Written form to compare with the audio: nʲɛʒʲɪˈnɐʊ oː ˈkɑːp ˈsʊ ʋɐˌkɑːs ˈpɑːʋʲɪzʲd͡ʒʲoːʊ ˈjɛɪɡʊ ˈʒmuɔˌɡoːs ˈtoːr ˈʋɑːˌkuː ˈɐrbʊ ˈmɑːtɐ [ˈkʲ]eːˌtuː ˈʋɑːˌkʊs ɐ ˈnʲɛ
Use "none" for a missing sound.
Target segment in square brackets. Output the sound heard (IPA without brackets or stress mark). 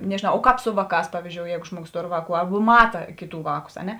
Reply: kʲ